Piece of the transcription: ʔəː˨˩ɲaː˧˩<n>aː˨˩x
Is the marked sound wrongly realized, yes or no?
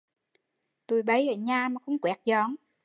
yes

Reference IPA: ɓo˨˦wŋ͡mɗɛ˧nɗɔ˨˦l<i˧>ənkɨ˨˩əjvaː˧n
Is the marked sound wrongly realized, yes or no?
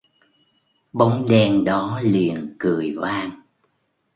yes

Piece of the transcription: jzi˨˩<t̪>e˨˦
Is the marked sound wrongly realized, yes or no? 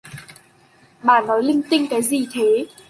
yes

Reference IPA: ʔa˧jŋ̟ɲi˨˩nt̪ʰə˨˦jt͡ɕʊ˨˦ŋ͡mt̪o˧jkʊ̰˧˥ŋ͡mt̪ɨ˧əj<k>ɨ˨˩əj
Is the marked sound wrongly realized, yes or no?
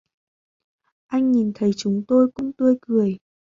no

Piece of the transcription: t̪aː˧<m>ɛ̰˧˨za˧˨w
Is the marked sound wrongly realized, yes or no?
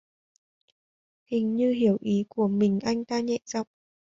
yes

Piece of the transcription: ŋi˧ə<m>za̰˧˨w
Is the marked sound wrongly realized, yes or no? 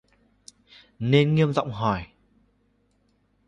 no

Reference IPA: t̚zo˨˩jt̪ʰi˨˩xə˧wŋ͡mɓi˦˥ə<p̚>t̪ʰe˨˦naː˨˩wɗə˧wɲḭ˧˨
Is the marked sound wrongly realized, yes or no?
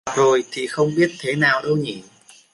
yes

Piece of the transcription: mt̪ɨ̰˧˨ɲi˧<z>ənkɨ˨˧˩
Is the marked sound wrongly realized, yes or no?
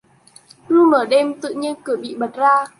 yes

